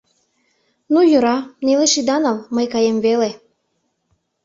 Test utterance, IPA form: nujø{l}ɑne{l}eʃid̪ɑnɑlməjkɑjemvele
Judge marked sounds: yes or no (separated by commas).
no, yes